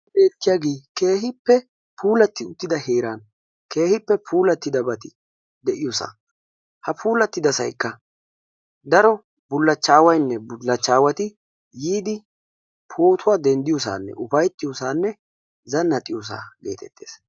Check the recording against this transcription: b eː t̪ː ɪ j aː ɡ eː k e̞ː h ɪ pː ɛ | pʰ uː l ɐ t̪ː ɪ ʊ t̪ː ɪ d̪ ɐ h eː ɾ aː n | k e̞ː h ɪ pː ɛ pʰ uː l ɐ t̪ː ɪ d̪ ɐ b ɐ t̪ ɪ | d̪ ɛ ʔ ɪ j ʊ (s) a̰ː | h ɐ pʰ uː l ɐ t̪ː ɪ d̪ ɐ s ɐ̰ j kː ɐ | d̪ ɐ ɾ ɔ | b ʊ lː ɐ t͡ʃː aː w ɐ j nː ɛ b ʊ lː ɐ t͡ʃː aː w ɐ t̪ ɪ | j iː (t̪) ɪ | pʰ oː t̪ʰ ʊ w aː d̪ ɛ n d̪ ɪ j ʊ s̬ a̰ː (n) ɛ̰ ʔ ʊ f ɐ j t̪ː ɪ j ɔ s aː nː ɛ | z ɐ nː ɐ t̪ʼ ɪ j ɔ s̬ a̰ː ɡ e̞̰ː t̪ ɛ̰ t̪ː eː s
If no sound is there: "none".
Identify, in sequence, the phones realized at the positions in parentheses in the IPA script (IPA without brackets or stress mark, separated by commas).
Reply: s, d̪, nː